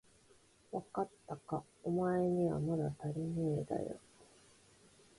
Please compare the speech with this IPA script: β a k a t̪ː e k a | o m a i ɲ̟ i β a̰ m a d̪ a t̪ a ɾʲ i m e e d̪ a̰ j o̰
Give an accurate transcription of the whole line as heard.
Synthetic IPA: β a k a t̪ː a k a | o m a e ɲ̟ i β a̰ m a d̪ a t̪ a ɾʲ i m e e d̪ a̰ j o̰